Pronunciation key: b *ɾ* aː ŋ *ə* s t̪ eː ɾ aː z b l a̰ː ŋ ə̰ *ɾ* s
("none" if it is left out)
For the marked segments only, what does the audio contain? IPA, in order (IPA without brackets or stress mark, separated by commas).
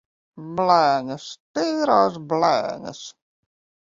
l, ə, none